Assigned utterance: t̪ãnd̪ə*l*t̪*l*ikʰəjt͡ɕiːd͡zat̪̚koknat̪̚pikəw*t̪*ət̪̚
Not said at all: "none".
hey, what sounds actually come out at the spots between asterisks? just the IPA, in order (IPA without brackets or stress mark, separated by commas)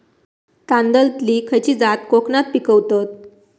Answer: l, l, t̪